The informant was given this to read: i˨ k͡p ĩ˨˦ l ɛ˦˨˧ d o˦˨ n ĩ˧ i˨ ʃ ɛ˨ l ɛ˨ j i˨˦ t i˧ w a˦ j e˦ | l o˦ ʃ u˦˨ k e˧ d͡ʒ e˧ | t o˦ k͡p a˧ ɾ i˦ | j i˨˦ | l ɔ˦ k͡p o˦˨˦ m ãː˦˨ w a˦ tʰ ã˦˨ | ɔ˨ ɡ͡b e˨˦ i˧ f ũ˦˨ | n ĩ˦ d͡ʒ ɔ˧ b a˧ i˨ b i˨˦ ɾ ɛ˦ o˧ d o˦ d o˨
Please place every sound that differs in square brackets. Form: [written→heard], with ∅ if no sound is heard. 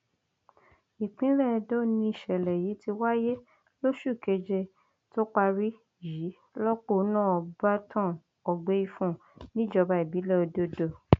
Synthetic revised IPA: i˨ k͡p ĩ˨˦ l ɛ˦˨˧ d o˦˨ n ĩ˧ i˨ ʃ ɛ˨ l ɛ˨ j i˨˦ t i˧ w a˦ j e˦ | l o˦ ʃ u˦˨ k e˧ d͡ʒ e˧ | t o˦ k͡p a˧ ɾ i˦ | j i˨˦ | l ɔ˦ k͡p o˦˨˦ [m→n] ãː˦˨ [w→b] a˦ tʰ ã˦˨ | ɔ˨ ɡ͡b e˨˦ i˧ f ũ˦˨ | n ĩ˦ d͡ʒ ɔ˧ b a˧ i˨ b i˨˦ [ɾ→l] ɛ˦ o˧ d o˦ d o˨